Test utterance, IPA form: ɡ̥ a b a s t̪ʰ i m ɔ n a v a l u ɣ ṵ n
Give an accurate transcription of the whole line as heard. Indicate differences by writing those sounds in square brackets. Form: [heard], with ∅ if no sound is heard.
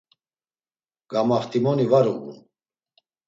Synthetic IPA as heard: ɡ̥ a [m] a [χ] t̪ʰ i m ɔ n [i] v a [ɾ] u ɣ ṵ n

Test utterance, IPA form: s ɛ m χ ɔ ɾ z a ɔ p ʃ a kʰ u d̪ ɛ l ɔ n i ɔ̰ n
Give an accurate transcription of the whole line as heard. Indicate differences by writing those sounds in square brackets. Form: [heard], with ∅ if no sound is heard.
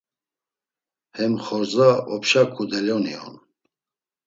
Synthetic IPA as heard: [h] ɛ m χ ɔ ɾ z a ɔ p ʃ a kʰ u d̪ ɛ l ɔ n i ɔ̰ n

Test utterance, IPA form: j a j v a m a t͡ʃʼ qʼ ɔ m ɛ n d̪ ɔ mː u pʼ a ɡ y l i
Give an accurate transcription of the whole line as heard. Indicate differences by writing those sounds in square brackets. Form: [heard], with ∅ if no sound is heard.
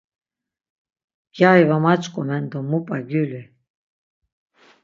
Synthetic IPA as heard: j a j v a m a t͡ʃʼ [kʼ] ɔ m ɛ n d̪ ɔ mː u pʼ a ɡ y l i

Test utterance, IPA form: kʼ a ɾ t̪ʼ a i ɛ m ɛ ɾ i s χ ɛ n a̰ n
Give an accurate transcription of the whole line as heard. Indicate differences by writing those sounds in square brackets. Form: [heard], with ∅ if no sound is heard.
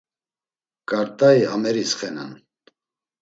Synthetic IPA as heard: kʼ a ɾ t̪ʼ a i [a] m ɛ ɾ i s χ ɛ n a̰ n

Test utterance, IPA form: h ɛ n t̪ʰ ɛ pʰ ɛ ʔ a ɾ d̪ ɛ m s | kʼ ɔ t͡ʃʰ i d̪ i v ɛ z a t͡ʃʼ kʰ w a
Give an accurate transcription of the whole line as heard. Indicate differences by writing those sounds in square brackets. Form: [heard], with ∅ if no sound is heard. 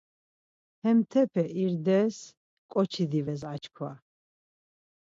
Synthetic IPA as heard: h ɛ [m] t̪ʰ ɛ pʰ ɛ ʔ [i] ɾ d̪ ɛ [∅] s | kʼ ɔ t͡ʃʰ i d̪ i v ɛ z a [t͡ʃ] kʰ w a

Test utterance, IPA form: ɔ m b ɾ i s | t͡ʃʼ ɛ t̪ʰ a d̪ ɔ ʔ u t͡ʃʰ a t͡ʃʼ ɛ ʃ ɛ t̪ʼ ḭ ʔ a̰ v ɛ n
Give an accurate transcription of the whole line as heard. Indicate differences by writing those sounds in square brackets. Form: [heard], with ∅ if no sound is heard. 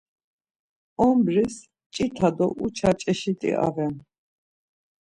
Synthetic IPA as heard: ɔ m b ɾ i s | t͡ʃʼ [i] t̪ʰ a d̪ ɔ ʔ u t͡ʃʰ a t͡ʃʼ ɛ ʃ [i] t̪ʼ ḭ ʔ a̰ v ɛ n

